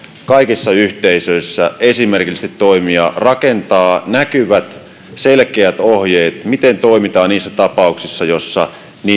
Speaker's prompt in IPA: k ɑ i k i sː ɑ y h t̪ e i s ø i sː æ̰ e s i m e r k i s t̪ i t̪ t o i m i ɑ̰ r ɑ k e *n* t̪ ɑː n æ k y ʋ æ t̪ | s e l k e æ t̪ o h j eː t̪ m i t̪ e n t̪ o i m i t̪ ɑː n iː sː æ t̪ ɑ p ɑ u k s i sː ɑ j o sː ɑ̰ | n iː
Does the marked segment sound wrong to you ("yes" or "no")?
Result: no